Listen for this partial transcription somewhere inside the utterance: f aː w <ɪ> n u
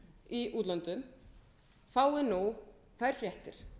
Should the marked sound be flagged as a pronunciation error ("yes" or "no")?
no